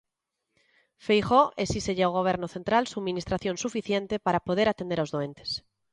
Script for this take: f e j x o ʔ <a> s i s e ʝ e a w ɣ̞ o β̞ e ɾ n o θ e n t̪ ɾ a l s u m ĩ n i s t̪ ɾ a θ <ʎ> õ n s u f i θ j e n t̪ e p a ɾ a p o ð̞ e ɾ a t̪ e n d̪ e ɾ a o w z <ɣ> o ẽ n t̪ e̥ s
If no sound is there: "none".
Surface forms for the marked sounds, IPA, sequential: e, j, ð

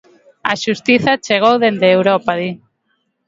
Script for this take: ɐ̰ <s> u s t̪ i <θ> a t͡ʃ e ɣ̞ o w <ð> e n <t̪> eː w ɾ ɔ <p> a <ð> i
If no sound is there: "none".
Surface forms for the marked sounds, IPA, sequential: ʃ, θ, ð, d̪, p, ð

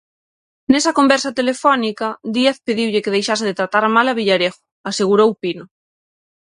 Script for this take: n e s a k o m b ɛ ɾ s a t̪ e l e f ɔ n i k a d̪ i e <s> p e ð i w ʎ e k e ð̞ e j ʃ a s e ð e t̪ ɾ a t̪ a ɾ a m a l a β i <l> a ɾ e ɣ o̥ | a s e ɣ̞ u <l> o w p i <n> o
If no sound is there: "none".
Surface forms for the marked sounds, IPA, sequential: θ, ʎ, ɾ, n

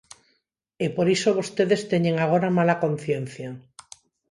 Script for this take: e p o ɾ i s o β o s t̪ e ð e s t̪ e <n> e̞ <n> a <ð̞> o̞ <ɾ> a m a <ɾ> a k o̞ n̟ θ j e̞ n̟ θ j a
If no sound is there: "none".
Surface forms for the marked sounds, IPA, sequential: ɲ, ŋ, ɣ̞, ɾ, l

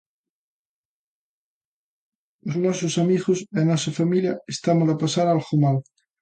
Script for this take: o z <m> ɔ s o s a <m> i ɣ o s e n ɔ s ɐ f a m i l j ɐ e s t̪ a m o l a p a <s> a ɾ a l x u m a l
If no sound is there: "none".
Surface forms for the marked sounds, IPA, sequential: n, m, s

